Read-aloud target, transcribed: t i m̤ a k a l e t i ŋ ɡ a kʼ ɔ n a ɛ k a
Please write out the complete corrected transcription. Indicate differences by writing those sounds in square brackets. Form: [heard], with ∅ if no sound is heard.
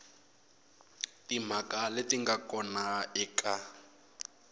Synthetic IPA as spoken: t i m̤ a k a l e t i ŋ ɡ a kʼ ɔ n a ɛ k a